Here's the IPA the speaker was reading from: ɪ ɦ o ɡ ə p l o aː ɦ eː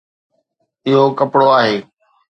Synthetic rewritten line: ɪ ɦ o k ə p ɽ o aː ɦ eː